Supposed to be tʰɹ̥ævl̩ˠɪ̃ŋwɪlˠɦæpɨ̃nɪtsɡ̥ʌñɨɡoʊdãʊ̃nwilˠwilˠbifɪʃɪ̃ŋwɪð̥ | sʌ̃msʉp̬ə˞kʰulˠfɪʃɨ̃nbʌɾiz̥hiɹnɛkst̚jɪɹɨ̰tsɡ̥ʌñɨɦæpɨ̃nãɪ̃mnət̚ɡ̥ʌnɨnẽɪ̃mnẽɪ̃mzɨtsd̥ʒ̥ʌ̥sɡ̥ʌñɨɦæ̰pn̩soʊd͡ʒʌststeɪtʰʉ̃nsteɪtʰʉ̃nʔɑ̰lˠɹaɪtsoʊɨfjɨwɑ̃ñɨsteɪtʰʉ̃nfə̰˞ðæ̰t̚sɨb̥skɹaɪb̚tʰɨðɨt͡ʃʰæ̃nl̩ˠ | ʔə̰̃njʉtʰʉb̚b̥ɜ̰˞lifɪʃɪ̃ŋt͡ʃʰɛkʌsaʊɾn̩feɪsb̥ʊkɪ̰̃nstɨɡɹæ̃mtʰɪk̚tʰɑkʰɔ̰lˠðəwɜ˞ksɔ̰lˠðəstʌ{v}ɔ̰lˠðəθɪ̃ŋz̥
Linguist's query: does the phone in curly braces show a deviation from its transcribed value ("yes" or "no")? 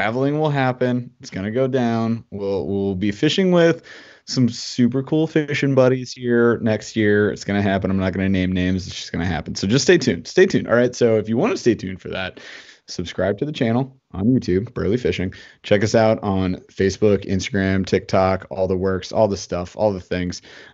yes